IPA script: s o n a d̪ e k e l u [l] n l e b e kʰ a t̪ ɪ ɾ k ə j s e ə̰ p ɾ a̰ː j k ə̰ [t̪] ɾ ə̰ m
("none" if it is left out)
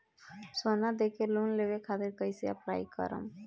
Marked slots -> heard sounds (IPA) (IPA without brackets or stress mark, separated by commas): none, none